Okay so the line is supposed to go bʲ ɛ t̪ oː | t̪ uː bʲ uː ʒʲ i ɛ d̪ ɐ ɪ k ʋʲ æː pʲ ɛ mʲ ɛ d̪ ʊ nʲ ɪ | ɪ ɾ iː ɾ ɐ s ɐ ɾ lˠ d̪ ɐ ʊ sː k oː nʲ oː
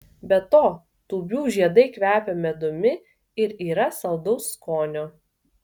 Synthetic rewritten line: bʲ ɛ t̪ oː | t̪ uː bʲ uː ʒʲ i ɛ d̪ ɐ ɪ k ʋʲ æː pʲ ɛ mʲ ɛ d̪ ʊ mʲ ɪ | ɪ ɾ iː ɾ ɐ s ɐ lˠ d̪ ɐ ʊ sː k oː nʲ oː